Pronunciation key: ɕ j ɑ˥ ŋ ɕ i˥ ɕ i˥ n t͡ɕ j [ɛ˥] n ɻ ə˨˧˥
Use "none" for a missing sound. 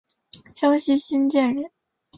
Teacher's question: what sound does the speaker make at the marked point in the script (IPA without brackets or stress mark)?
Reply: ɛ˥˩